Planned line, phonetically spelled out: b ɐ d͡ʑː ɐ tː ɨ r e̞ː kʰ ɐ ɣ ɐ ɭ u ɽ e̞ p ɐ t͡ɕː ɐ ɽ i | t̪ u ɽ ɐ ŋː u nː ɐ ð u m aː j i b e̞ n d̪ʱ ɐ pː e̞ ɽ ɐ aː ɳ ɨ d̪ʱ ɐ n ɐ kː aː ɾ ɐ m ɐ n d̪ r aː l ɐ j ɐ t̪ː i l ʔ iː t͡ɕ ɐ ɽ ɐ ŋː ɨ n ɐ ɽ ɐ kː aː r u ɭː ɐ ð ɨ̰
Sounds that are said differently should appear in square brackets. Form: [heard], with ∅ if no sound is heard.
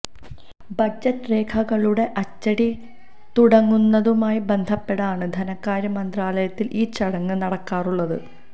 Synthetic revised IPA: b ɐ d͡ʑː ɐ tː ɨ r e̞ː kʰ ɐ ɣ ɐ ɭ u ɽ e̞ [ʔ] ɐ t͡ɕː ɐ ɽ i | t̪ u ɽ ɐ ŋː u nː ɐ ð u m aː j i b e̞ n d̪ʱ ɐ pː e̞ ɽ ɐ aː ɳ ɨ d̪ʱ ɐ n ɐ kː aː ɾ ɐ m ɐ n d̪ r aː l ɐ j ɐ t̪ː i l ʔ iː t͡ɕ ɐ ɽ ɐ ŋː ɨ n ɐ ɽ ɐ kː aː r u ɭː ɐ ð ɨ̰